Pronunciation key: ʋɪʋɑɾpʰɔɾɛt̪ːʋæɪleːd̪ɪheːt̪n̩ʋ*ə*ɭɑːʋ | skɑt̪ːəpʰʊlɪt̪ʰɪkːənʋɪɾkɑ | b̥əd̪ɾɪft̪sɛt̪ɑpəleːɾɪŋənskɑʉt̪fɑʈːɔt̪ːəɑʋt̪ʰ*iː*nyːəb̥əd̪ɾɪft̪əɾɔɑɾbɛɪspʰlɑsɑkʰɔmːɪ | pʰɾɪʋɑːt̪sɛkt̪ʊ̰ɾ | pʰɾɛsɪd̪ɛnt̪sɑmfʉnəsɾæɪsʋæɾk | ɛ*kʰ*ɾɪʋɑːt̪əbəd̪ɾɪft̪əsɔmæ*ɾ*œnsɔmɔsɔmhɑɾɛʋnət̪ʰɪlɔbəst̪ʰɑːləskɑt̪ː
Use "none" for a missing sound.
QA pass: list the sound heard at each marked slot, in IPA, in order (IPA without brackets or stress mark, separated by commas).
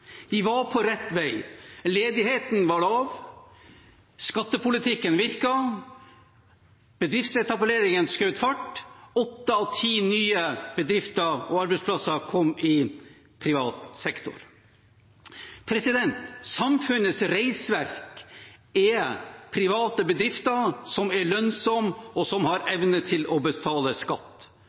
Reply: ɑ, iː, pʰ, ɭ